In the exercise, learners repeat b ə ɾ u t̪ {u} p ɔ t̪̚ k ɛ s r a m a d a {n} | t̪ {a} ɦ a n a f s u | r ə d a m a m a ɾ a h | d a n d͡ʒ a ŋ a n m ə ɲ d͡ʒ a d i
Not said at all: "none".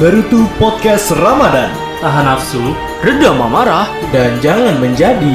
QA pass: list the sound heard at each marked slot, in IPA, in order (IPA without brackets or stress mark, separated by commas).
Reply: u, n, a